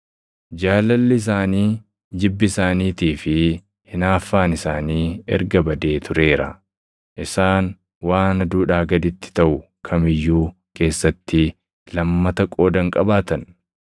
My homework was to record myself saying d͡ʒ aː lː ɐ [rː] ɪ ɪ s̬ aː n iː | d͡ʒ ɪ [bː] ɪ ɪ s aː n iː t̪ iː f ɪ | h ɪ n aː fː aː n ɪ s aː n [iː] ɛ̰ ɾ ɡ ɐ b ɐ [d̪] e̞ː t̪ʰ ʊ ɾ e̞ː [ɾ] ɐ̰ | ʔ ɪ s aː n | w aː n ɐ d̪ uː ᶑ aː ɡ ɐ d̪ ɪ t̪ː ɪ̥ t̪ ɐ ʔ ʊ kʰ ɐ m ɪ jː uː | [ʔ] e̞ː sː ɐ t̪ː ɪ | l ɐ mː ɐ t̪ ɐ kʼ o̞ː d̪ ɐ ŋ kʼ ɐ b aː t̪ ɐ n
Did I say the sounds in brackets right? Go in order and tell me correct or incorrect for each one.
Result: incorrect: lː, correct, correct, correct, correct, incorrect: k

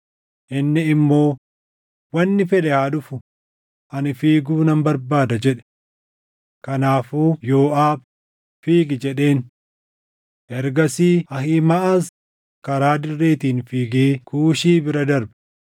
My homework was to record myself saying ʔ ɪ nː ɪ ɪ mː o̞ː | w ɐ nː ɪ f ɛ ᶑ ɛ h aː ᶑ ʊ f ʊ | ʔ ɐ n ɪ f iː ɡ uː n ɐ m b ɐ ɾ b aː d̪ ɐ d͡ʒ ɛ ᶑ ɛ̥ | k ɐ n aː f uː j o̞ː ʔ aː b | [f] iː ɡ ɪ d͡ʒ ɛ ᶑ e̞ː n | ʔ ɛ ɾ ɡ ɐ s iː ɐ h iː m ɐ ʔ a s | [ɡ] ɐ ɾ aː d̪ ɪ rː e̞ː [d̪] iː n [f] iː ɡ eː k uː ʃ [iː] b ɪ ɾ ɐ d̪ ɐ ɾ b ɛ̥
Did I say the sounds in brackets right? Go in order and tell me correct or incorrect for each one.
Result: correct, incorrect: k, incorrect: t̪, correct, correct

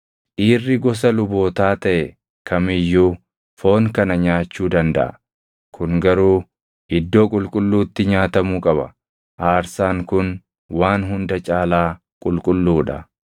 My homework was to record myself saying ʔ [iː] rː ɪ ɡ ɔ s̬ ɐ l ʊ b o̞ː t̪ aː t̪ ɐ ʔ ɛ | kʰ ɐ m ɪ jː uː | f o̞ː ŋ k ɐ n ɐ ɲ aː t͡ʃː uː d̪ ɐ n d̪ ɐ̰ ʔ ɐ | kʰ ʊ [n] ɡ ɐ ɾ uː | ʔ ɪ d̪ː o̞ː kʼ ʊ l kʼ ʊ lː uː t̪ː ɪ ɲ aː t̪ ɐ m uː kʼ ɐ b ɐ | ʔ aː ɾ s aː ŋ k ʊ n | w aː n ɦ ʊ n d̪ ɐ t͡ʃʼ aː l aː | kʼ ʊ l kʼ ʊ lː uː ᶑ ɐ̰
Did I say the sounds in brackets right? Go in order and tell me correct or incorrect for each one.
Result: correct, incorrect: ŋ

